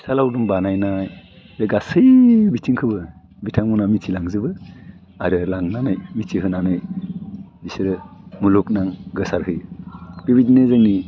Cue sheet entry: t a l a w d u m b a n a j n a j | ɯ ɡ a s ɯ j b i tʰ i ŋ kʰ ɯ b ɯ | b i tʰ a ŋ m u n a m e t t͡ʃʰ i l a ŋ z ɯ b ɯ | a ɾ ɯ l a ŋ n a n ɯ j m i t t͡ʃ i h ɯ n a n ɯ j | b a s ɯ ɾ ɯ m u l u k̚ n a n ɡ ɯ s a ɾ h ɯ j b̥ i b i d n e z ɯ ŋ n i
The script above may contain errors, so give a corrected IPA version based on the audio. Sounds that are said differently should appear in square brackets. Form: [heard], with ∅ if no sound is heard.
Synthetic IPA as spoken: [s] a l a w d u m b a n a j n a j | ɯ ɡ a s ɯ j b i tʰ i ŋ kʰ ɯ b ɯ | b i tʰ a ŋ m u n a m [i] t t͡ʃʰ i l a ŋ z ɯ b ɯ | a ɾ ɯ l a ŋ n a n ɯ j m i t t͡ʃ i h ɯ n a n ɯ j | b [i] s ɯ ɾ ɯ m u l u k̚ n a [ŋ] ɡ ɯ s a ɾ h ɯ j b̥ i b i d n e z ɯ ŋ n i